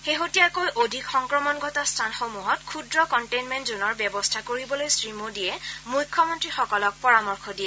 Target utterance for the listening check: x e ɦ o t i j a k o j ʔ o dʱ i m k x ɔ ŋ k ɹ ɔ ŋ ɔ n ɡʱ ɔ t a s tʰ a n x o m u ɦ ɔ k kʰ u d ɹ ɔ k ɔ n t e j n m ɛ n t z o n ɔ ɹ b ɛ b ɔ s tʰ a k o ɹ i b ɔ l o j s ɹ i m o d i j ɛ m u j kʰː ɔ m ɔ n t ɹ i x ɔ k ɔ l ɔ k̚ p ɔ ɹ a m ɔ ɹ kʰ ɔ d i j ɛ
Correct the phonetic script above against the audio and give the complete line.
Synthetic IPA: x e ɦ o t i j a k o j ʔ o dʱ i k x ɔ ŋ k ɹ ɔ m ɔ n ɡʱ ɔ t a s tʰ a n x o m u ɦ ɔ t kʰ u d ɹ ɔ k ɔ n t e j n m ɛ n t z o n ɔ ɹ b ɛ b ɔ s tʰ a k o ɹ i b ɔ l o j s ɹ i m o d i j ɛ m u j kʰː ɔ m ɔ n t ɹ i x ɔ k ɔ l ɔ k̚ p ɔ ɹ a m ɔ ɹ kʰ ɔ d i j ɛ